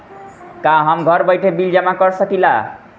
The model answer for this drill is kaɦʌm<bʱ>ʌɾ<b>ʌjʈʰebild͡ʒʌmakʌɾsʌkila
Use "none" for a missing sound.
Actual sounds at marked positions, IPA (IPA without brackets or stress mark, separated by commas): ɡʱ, b